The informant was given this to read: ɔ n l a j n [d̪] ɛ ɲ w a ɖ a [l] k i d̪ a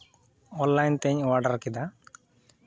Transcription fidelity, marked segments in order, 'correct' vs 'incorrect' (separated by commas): incorrect, incorrect